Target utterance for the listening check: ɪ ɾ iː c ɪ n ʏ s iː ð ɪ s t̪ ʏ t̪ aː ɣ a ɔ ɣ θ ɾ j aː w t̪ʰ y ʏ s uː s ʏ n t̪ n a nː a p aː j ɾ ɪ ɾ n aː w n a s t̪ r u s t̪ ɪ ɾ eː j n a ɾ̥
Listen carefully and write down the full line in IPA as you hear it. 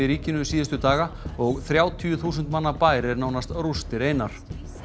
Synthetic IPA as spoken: ɪ ɾ iː c ɪ n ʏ s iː ð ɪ s t̪ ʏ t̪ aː ɣ a ɔ ɣ θ ɾ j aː w t̪ʰ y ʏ θ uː s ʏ n t̪ m a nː a p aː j ɾ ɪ ɾ n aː w n a s t̪ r u s t̪ ɪ ɾ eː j n a ɾ̥